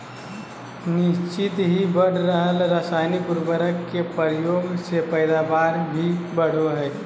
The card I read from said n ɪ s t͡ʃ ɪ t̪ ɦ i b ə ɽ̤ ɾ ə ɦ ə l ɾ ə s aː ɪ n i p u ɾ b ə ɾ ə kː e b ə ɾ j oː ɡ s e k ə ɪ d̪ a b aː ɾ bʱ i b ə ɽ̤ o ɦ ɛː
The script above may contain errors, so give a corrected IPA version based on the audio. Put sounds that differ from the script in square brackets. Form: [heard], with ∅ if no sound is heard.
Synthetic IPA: n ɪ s t͡ʃ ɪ t̪ ɦ i b ə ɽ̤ ɾ ə ɦ ə l ɾ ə s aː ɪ n i p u ɾ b ə ɾ ə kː e [p] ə ɾ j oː ɡ s e [p] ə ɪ d̪ a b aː ɾ bʱ i b ə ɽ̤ o ɦ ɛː